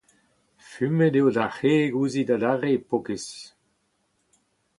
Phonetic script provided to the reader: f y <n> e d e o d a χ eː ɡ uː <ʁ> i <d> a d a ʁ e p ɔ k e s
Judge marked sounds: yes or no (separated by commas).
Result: no, no, yes